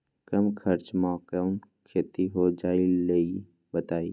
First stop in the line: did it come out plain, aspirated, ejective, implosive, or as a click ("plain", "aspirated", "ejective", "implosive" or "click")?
plain